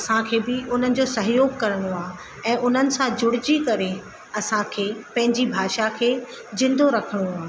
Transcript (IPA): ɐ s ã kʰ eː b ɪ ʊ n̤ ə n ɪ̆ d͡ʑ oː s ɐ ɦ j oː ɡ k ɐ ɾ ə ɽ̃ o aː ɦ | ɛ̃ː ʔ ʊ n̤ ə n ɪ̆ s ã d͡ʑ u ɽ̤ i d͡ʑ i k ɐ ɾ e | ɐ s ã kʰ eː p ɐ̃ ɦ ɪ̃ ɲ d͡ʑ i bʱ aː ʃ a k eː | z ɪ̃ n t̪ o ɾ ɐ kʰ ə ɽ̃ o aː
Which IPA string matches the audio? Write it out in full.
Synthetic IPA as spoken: ɐ s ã kʰ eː b ɪ ʊ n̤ ə n ɪ̆ d͡ʑ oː s ɐ ɦ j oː ɡ k ɐ ɾ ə ɽ̃ o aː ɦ | ɛ̃ː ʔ ʊ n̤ ə n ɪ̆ s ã d͡ʑ ʊ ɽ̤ ɪ d͡ʑ i k ɐ ɾ e | ɐ s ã kʰ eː p ɐ̃ ɦ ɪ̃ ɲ d͡ʑ i bʱ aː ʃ a kʰ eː | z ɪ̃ n d̪ o ɾ ɐ kʰ ə ɽ̃ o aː